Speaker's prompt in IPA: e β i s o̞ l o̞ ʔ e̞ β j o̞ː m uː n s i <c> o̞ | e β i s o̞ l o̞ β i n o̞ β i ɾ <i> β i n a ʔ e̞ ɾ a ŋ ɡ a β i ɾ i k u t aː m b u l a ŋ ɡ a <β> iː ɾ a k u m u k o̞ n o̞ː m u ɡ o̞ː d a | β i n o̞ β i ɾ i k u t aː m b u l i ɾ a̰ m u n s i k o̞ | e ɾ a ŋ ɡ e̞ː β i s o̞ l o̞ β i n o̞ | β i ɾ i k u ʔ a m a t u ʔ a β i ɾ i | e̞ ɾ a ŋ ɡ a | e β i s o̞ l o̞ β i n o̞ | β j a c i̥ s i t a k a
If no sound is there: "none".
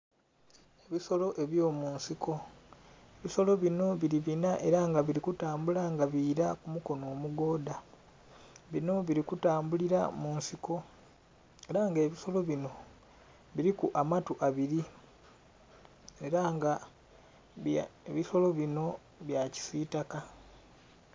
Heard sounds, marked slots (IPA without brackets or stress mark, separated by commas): k, i, β